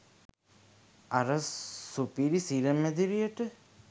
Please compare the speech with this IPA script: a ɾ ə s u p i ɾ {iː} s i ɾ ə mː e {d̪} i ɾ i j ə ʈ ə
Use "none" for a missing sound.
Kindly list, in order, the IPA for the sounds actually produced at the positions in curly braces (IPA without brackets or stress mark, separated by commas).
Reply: i, d̪